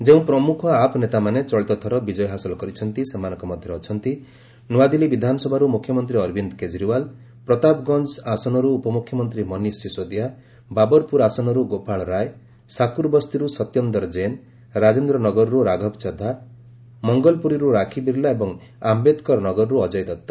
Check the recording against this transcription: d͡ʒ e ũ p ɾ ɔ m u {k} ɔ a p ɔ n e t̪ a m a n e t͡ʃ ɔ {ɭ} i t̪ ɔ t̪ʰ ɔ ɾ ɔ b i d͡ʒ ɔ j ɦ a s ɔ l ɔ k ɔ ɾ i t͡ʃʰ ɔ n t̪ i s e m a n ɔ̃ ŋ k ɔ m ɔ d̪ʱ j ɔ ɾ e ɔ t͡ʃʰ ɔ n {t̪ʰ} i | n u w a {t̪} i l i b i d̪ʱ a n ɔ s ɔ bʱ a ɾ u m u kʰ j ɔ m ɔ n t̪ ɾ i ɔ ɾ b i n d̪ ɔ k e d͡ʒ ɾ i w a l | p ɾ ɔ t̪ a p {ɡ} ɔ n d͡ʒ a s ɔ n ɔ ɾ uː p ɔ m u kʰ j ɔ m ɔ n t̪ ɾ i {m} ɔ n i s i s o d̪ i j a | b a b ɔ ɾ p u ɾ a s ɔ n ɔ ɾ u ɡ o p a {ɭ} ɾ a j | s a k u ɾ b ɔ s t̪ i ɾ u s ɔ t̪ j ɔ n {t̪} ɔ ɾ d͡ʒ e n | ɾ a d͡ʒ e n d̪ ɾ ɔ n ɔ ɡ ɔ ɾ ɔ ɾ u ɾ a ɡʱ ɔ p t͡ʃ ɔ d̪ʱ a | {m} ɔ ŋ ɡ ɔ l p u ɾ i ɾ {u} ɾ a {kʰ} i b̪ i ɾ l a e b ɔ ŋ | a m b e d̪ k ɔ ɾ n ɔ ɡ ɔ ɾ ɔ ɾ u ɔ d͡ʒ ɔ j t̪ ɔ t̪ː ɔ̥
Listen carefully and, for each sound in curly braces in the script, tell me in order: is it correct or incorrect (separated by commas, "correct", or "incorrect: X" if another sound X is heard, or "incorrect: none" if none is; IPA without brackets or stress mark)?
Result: incorrect: kʰ, correct, incorrect: t̪, incorrect: d̪, correct, correct, correct, incorrect: d̪, correct, correct, correct